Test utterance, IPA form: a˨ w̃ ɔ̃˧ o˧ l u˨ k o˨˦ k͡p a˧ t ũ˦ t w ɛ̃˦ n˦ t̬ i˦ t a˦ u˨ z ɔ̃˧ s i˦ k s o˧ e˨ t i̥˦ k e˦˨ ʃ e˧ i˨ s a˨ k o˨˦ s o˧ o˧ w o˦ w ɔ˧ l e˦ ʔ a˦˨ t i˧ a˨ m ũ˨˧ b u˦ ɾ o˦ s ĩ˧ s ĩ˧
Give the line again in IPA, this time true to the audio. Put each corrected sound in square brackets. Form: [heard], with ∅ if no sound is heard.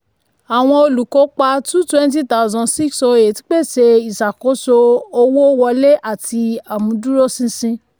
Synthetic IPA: a˨ w̃ ɔ̃˧ o˧ l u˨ k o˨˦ k͡p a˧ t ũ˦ t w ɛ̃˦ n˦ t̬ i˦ t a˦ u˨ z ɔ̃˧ s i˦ k s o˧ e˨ t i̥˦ [k͡p] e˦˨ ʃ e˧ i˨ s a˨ k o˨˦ s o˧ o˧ w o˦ w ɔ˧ l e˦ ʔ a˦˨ t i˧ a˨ m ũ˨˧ [d] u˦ ɾ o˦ s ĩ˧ s ĩ˧